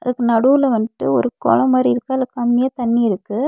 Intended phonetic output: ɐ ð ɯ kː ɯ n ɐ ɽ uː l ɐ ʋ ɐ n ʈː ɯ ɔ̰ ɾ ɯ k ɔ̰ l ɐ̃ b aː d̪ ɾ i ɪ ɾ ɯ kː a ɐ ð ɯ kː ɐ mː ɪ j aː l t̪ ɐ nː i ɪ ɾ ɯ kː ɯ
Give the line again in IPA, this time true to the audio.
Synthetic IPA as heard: ɐ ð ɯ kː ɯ n ɐ ɽ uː l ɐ ʋ ɐ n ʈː ɯ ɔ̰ ɾ ɯ k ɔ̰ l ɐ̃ m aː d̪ ɾ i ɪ ɾ ɯ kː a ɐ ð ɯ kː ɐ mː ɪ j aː t̪ ɐ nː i ɪ ɾ ɯ kː ɯ

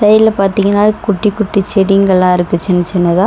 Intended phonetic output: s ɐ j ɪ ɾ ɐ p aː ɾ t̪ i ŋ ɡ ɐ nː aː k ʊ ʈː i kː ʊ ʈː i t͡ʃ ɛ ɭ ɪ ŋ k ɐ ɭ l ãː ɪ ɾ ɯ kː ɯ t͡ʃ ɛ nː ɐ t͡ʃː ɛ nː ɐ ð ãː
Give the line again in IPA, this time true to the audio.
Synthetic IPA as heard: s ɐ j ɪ l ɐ p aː ɾ t̪ i ŋ ɡ ɐ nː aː k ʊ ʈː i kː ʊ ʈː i t͡ʃ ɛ ɽ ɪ ŋ ɡ ɐ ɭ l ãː ɪ ɾ ɯ kː ɯ t͡ʃ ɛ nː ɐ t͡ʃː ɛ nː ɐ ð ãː

